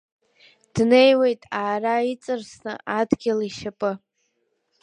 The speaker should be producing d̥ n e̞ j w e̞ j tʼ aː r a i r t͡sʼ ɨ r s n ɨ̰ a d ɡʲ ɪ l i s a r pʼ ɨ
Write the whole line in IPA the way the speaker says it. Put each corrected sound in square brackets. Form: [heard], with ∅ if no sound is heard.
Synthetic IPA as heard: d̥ n e̞ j w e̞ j tʼ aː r a i [∅] t͡sʼ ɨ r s n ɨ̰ a d ɡʲ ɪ l i [ʃ] a [∅] pʼ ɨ